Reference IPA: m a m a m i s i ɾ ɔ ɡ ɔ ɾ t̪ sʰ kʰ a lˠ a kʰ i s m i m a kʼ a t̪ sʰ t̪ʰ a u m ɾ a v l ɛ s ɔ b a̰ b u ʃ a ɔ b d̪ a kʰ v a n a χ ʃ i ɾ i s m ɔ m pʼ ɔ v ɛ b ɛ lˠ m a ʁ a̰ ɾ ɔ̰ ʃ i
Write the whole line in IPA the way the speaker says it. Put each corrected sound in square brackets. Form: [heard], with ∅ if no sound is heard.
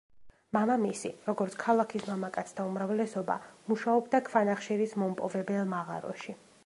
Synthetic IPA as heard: m a m a m i s i ɾ ɔ ɡ ɔ ɾ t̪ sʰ kʰ a lˠ a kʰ i s m [a] m a kʼ a t̪ sʰ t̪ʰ a u m ɾ a v l ɛ s ɔ b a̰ [m] u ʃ a ɔ b d̪ a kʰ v a n a χ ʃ i ɾ i s m ɔ m pʼ ɔ v ɛ b ɛ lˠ m a ʁ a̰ ɾ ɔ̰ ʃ i